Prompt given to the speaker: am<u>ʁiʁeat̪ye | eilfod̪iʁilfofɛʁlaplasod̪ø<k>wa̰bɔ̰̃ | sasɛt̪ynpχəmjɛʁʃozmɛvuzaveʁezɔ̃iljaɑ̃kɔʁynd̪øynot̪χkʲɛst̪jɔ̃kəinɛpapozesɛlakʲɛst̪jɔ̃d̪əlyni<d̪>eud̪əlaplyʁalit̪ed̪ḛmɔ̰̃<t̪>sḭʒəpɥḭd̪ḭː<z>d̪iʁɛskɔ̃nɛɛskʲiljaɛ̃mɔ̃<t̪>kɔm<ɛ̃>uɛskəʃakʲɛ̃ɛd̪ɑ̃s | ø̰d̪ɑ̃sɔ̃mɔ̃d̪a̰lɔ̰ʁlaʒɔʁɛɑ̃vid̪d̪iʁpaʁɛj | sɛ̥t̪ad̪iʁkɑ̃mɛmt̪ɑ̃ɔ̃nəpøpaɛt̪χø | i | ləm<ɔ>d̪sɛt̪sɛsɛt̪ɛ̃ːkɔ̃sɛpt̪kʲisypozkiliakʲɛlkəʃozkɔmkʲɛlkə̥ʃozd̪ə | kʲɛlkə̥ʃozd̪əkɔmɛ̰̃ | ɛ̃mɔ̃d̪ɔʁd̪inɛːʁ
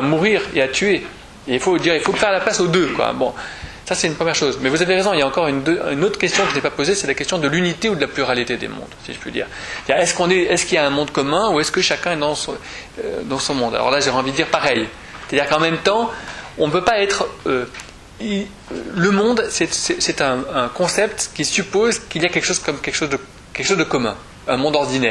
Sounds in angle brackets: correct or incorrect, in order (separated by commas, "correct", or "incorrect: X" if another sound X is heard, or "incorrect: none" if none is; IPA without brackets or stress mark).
correct, correct, incorrect: t̪, incorrect: d̪, incorrect: ʁ, incorrect: d̪, correct, incorrect: ɔ̃